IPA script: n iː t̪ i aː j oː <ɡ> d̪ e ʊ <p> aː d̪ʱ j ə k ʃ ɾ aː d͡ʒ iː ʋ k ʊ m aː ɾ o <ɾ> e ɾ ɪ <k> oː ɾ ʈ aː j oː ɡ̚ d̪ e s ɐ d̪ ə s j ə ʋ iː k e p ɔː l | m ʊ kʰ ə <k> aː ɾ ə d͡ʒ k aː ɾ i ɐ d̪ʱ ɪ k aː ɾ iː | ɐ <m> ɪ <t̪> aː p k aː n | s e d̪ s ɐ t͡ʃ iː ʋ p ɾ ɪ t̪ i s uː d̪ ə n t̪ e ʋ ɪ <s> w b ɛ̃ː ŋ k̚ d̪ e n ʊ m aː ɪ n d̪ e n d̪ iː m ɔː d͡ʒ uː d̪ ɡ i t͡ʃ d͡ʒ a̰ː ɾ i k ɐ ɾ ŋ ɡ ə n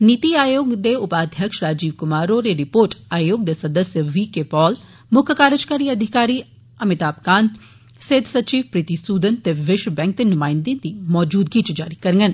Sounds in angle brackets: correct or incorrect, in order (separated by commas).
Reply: correct, correct, correct, incorrect, correct, correct, correct, incorrect